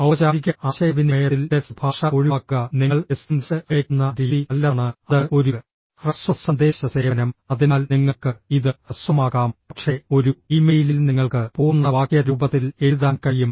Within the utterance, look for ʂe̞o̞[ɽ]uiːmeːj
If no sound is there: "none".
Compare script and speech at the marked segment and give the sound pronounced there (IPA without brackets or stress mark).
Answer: ɾ